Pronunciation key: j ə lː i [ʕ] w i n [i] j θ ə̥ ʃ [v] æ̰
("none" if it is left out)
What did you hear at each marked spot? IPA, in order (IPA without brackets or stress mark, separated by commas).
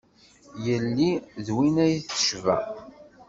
ð, æ, v